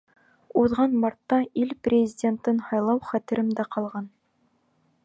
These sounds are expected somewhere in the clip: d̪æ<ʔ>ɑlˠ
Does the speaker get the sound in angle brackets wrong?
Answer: yes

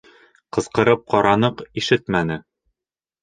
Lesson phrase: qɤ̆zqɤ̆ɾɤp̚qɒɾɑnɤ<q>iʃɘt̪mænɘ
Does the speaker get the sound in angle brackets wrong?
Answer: no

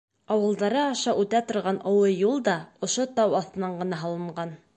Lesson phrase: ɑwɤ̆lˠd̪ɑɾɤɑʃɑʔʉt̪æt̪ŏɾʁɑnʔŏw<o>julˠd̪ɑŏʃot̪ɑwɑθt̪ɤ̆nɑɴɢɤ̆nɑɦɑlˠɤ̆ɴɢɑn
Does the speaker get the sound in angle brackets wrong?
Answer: yes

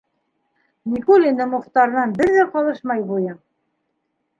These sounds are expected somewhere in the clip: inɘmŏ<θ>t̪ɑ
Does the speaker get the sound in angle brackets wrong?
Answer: yes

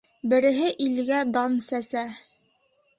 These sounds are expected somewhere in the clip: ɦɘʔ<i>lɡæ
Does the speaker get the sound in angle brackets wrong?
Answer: no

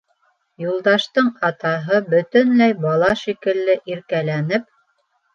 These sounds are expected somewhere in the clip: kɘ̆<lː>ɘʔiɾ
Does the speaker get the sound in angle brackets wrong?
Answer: no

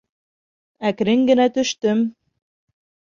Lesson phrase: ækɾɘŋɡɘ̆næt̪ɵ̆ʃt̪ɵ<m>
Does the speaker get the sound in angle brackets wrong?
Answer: no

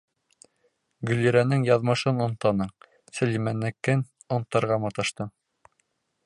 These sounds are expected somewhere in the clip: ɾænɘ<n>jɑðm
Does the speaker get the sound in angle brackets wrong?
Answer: yes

